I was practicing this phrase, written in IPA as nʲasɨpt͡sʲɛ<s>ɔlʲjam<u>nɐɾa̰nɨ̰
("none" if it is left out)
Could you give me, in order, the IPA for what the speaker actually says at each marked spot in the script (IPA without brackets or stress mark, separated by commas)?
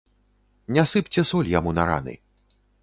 s, u